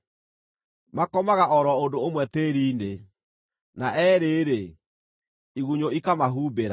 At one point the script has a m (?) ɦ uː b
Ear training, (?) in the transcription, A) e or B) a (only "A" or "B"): B